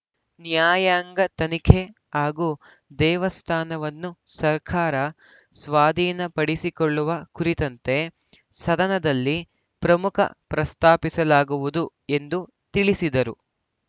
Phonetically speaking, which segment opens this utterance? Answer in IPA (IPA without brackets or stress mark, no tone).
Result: n